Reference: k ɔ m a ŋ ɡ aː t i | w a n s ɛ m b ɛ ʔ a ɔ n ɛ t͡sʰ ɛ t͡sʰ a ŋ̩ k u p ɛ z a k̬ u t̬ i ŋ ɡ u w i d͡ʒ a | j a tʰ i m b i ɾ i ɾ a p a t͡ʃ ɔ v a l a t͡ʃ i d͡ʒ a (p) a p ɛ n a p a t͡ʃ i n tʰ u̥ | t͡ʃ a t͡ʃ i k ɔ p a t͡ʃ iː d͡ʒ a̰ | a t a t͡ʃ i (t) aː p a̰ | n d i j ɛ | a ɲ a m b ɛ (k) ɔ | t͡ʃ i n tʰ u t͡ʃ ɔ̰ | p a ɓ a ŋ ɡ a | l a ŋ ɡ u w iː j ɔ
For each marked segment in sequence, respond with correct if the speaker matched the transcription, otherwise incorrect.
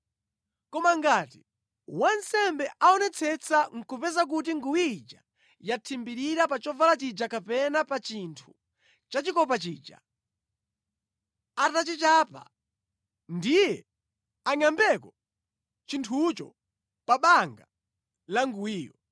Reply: incorrect: k, incorrect: t͡ʃ, correct

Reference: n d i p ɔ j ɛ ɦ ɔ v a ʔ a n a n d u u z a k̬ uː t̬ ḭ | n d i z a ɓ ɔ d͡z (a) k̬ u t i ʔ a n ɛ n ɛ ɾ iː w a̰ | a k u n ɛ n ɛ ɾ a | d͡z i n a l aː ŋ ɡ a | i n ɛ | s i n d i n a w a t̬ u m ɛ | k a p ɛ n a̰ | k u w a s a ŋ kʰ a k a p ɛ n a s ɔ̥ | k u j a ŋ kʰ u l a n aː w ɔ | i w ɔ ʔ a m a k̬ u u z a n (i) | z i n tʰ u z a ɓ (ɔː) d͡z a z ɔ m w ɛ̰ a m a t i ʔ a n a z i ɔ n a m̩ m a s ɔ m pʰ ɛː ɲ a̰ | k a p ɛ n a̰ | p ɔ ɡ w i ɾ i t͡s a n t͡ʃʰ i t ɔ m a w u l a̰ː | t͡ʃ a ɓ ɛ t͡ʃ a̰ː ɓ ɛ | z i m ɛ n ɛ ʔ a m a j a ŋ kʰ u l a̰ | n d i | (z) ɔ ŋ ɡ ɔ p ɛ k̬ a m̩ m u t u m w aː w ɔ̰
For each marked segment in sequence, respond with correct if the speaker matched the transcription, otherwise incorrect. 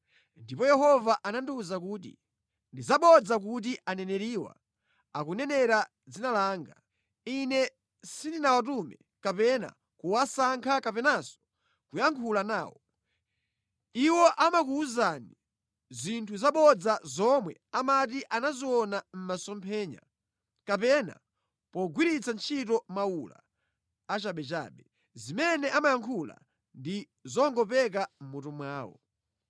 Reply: correct, correct, incorrect: ɔ, correct

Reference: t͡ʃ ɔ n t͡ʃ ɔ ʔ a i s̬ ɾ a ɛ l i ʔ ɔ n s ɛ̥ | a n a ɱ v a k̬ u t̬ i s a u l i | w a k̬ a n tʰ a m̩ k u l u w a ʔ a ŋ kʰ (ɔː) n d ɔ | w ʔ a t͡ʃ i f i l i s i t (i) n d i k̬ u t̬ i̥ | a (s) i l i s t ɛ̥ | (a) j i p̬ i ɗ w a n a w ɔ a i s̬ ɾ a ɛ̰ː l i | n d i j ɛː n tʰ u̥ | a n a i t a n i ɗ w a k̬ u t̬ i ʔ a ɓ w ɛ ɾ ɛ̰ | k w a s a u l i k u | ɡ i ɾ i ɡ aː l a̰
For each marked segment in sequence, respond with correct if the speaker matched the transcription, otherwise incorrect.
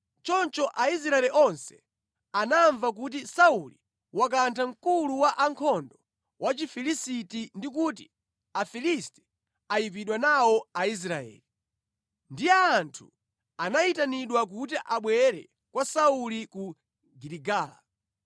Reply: incorrect: ɔ, correct, incorrect: f, correct

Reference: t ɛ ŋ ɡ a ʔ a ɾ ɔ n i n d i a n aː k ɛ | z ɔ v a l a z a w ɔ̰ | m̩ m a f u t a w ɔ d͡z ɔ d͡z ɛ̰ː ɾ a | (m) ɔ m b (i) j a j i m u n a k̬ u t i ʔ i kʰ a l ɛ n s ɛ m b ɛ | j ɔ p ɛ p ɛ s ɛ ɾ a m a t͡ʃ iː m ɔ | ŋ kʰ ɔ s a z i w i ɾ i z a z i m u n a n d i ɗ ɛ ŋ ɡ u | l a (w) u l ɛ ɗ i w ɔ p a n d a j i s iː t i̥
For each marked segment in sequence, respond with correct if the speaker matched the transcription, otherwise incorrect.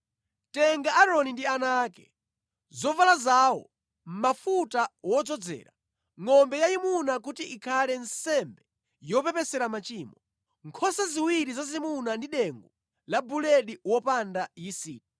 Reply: incorrect: ŋ, incorrect: ɛ, incorrect: b

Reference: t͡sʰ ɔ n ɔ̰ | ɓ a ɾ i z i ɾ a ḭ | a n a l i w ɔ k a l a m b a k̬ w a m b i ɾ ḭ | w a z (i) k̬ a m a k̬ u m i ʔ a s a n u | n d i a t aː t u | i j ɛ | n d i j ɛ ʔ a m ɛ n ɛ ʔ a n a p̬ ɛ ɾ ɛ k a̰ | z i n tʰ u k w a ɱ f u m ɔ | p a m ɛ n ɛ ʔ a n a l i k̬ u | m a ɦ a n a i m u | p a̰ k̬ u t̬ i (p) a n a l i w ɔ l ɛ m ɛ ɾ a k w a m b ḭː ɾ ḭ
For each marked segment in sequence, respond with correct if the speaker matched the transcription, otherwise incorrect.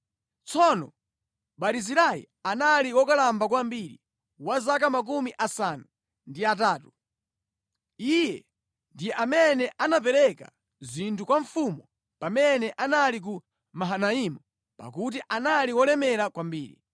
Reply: incorrect: a, incorrect: ʔ

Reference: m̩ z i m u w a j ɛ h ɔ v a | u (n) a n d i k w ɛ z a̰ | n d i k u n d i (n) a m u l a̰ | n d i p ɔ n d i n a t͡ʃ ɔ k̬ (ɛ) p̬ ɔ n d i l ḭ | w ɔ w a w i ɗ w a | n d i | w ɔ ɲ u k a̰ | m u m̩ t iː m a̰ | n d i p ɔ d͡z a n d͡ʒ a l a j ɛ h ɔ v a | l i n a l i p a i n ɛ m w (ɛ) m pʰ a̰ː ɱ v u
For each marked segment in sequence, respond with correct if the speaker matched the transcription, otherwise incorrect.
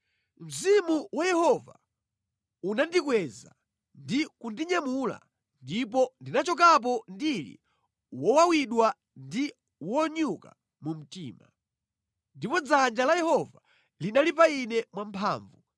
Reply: correct, incorrect: ɲ, incorrect: a, incorrect: a

